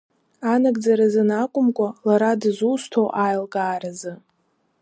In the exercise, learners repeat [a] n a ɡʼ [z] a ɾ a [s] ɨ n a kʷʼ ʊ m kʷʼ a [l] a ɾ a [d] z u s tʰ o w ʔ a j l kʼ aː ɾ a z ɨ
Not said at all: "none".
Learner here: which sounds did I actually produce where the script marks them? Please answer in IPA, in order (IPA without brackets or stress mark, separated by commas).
a, d͡z, z, l, d